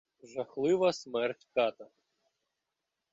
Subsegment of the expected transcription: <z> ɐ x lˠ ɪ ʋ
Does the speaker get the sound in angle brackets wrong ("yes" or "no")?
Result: yes